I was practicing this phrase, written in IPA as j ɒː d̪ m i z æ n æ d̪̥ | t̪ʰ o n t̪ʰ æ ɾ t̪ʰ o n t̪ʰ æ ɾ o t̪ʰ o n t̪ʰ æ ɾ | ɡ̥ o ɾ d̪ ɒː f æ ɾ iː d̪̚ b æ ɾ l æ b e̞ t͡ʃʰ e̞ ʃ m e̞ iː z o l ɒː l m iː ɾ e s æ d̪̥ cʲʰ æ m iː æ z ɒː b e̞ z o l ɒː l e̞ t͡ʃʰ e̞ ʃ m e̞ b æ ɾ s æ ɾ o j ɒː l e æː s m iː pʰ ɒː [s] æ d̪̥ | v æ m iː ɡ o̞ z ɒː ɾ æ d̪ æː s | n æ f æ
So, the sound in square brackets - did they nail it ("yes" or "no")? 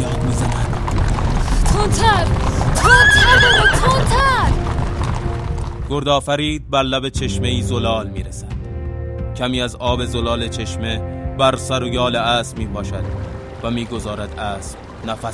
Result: no